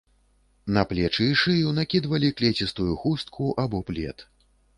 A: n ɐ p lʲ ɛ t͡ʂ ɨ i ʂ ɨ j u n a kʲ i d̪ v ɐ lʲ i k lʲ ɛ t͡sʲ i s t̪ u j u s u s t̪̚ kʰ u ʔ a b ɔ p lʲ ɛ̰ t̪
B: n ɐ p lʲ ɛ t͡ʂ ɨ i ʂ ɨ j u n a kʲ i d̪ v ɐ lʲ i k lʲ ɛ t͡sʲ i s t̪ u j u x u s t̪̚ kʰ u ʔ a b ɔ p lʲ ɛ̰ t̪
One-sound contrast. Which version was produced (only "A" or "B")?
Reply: B